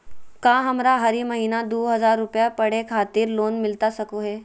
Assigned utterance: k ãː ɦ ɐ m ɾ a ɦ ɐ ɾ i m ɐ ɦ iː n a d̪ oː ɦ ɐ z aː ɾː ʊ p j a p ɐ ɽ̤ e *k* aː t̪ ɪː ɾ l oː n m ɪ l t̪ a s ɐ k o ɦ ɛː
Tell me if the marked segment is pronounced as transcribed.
no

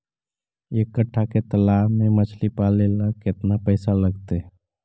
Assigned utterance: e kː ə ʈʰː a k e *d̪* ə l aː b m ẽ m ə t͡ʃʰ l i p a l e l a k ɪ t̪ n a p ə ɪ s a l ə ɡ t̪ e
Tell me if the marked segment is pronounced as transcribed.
no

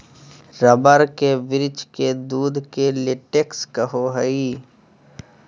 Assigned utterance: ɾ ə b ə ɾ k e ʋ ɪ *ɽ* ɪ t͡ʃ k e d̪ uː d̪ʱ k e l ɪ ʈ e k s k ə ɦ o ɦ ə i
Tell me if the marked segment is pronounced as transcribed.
no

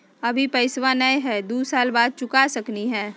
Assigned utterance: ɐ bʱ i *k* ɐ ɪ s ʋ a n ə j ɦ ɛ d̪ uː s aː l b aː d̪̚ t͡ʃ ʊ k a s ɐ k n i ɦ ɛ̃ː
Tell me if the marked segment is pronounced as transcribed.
no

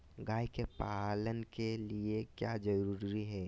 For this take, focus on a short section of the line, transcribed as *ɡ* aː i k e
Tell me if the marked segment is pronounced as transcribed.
yes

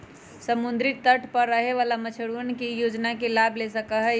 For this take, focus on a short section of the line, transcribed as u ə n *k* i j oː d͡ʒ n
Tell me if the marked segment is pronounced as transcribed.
yes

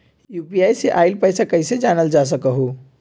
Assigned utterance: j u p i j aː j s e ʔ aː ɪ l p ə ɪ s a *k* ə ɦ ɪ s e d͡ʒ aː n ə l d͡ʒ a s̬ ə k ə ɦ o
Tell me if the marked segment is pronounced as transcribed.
yes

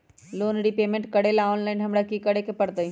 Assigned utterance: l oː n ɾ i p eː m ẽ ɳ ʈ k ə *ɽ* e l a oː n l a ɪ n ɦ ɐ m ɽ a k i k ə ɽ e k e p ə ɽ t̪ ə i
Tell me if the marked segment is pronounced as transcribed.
yes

